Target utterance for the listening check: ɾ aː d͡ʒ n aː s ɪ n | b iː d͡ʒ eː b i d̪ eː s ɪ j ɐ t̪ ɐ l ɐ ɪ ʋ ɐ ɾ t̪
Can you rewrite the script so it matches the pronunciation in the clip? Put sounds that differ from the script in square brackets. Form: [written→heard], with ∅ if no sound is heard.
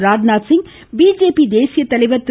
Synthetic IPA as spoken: ɾ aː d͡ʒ n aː s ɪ [n→ŋ] | b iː d͡ʒ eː [b→p] i d̪ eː s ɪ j ɐ t̪ ɐ l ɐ ɪ ʋ ɐ ɾ t̪

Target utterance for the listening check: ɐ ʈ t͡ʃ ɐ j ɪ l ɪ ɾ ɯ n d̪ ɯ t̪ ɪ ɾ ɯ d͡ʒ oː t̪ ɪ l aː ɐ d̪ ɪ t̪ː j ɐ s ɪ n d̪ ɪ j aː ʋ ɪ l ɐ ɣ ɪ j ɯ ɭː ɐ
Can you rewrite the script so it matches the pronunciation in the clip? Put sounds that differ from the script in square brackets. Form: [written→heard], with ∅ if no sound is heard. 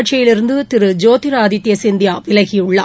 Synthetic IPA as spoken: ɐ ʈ t͡ʃ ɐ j ɪ l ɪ ɾ ɯ n d̪ ɯ t̪ ɪ ɾ ɯ d͡ʒ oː t̪ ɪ [l→ɾ] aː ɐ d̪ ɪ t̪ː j ɐ s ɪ n d̪ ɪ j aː ʋ ɪ l ɐ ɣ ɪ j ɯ ɭː ɐ

